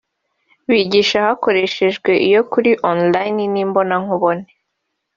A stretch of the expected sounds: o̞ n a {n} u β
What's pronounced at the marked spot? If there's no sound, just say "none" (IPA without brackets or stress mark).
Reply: ŋ